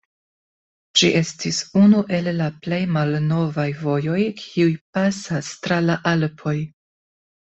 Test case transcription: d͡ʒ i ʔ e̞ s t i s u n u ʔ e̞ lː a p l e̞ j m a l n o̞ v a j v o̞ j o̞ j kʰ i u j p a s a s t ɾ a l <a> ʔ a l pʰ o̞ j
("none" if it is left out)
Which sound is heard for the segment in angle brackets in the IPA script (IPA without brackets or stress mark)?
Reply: a